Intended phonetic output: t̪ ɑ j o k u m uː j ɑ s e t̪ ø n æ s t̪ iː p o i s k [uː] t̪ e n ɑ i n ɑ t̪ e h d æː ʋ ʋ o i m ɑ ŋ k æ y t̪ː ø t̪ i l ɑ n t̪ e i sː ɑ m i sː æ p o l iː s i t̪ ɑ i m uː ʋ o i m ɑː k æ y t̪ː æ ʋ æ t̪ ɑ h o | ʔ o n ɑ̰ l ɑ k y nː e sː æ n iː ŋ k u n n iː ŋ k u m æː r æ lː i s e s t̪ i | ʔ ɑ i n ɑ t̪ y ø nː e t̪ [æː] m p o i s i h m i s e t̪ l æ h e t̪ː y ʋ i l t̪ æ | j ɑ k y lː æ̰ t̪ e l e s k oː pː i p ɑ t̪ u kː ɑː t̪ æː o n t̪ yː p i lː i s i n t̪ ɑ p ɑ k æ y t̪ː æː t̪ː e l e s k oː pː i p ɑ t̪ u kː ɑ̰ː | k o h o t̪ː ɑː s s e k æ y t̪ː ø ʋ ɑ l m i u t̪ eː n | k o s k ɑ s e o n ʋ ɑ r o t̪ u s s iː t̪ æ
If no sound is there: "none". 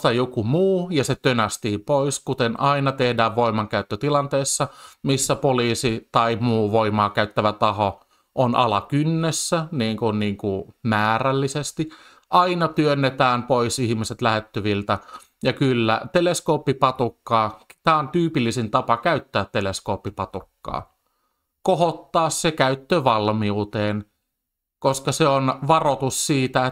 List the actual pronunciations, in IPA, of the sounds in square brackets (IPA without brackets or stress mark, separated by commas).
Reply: u, æː